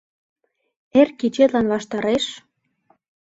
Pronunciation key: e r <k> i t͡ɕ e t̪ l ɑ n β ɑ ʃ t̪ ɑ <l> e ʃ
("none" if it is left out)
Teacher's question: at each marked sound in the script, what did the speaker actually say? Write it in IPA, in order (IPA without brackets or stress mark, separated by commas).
k, ɾ